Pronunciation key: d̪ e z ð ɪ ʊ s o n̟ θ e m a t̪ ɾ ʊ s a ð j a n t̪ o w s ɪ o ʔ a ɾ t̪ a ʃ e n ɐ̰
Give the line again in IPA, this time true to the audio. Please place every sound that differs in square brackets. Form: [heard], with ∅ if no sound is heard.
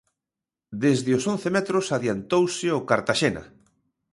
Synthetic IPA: d̪ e z ð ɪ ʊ s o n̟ θ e m [ɛ] t̪ ɾ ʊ s a ð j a n t̪ o w s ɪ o [k] a ɾ t̪ a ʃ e n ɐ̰